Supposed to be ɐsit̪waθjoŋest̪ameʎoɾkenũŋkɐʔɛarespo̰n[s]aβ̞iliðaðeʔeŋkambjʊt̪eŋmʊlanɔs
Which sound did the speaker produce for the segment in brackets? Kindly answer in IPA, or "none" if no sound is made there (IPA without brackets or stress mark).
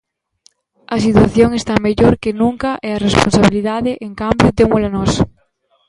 s